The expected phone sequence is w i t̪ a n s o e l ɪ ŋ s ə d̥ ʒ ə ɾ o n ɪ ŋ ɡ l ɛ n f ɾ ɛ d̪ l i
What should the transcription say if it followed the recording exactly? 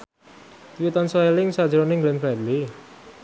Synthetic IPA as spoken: w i t̪ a n s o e l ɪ ŋ s a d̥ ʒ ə ɾ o n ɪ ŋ ɡ l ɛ n f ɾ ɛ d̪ l i